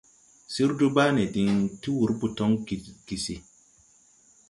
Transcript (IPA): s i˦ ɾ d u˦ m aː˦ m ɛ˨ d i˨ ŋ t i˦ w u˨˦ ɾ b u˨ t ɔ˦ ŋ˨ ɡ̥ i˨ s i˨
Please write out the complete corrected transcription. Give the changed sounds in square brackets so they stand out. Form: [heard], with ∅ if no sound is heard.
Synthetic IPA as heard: s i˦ ɾ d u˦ [b] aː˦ [n] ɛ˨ d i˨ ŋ t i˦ w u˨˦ ɾ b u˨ t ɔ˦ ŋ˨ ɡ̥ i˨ s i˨